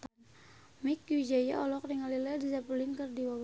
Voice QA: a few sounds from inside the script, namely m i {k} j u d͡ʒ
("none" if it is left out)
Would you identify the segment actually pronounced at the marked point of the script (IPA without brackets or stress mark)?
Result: k